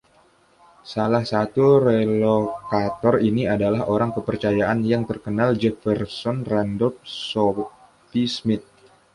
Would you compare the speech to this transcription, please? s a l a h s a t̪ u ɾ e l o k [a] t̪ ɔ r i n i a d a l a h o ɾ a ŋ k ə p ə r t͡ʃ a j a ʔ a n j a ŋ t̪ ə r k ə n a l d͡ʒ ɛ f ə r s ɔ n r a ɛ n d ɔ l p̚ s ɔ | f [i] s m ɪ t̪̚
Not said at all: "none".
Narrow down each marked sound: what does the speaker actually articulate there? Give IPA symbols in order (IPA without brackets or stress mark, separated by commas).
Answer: a, i